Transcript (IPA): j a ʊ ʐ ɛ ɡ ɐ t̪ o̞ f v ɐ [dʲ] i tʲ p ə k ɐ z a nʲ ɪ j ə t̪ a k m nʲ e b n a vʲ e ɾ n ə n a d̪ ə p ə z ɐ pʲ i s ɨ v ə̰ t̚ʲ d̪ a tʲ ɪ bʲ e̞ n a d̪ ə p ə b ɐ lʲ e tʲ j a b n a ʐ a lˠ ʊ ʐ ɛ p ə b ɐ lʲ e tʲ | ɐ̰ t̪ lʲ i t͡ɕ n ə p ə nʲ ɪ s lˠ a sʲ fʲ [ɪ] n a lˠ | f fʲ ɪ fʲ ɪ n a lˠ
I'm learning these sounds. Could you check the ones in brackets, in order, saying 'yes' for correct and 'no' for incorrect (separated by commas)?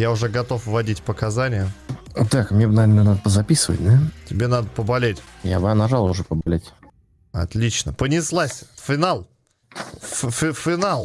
yes, yes